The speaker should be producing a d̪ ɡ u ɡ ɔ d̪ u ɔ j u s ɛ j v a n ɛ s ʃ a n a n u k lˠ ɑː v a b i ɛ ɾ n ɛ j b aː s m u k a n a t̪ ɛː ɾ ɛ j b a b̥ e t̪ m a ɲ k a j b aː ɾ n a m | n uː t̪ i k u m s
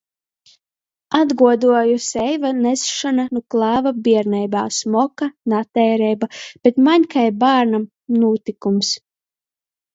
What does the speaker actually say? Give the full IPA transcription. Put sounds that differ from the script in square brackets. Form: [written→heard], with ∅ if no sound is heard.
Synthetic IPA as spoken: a d̪ ɡ u [ɡ→∅] ɔ d̪ u ɔ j u s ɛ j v a n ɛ s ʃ a n a n u k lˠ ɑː v a b i ɛ ɾ n ɛ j b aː s m [u→ɔ] k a n a t̪ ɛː ɾ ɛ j b a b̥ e t̪ m a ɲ k a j b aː ɾ n a m | n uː t̪ i k u m s